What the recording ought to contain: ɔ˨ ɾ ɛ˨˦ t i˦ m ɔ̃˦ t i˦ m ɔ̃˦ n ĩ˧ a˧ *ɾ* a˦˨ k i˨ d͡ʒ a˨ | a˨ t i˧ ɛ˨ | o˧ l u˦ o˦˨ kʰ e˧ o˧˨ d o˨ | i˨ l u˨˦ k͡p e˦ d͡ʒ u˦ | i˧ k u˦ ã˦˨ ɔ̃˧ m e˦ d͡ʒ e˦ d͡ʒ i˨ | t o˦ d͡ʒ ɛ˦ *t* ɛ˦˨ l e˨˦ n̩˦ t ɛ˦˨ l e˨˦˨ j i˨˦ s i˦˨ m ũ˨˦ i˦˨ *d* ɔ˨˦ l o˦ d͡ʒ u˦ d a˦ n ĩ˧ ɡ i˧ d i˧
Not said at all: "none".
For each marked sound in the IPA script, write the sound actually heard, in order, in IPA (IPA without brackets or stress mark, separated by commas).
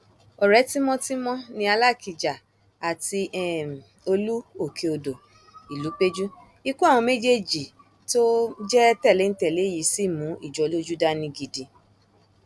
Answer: l, t, d͡ʒ